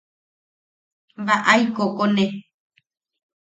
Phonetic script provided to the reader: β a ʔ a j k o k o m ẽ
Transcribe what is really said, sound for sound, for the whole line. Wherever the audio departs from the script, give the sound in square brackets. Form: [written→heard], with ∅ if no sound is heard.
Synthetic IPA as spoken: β a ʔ a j k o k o [m→n] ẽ